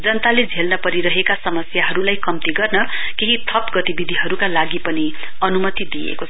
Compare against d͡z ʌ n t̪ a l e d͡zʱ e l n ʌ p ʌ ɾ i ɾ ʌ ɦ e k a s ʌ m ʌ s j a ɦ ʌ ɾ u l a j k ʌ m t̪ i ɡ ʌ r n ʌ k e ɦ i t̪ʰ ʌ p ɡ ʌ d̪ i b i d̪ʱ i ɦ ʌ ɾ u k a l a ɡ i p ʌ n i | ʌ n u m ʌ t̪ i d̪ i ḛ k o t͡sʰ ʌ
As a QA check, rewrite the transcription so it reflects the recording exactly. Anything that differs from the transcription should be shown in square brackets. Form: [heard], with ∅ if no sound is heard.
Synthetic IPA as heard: d͡z ʌ n t̪ a l e d͡zʱ e l n ʌ p ʌ ɾ i ɾ ʌ ɦ e k a s ʌ m ʌ s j a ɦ ʌ ɾ u l a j k ʌ m t̪ i ɡ ʌ r n ʌ k e ɦ i t̪ʰ ʌ p ɡ ʌ [t̪] i b i d̪ʱ i ɦ ʌ ɾ u k a l a ɡ i p ʌ n i | ʌ n u m ʌ t̪ i d̪ i ḛ k o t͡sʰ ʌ

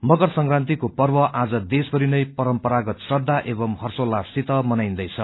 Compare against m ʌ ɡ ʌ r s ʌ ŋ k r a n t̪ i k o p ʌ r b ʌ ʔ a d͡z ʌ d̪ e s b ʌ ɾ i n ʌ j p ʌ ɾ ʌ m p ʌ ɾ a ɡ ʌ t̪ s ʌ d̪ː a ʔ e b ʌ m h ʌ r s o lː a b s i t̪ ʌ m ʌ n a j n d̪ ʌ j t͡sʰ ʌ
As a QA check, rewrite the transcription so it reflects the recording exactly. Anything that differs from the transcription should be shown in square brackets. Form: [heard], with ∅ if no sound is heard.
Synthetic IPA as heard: m ʌ ɡ ʌ r s ʌ ŋ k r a n t̪ i k o p ʌ r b ʌ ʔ a d͡z ʌ d̪ e s b ʌ ɾ i n ʌ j p ʌ ɾ ʌ m p ʌ ɾ a ɡ ʌ t̪ s ʌ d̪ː a ʔ e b ʌ m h ʌ r s o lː a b s i t̪ ʌ m ʌ n a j n d̪ ʌ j t͡sʰ ʌ

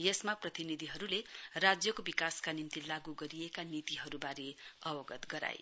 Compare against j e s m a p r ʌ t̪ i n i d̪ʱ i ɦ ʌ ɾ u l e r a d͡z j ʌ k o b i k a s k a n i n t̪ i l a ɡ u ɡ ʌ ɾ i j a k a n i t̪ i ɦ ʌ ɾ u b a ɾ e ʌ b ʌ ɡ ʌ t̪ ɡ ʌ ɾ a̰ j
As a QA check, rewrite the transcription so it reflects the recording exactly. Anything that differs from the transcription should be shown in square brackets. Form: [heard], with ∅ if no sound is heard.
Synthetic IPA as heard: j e s m a p r ʌ t̪ i n i d̪ʱ i ɦ ʌ ɾ u l e r a d͡z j ʌ k o b i k a s k a n i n t̪ i l a ɡ u ɡ ʌ ɾ i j [e] k a n i t̪ i ɦ ʌ ɾ u b a ɾ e ʌ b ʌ ɡ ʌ t̪ ɡ ʌ ɾ a̰ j

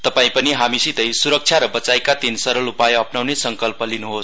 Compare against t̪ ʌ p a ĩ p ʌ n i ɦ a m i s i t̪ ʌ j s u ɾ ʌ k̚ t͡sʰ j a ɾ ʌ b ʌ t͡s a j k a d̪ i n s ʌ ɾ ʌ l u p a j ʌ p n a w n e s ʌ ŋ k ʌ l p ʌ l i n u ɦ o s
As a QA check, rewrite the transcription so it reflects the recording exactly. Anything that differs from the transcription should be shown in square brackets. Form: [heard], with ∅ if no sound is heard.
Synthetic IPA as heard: t̪ ʌ p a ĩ p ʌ n i ɦ a m i s i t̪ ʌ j s u ɾ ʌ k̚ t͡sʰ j a ɾ ʌ b ʌ t͡s a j k a [t̪] i n s ʌ ɾ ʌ l u p a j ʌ p n a w n e s ʌ ŋ k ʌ l p ʌ l i n u ɦ o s

